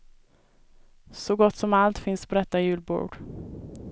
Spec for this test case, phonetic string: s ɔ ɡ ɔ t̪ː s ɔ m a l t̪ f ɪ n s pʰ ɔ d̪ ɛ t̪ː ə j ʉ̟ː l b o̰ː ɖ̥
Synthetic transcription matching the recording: s ɔ ɡ ɔ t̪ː s ɔ m a l t̪ f ɪ n s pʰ ɔ d̪ ɛ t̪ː a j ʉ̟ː l b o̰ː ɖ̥